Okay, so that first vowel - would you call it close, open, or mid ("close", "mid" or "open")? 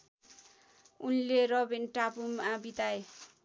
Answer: close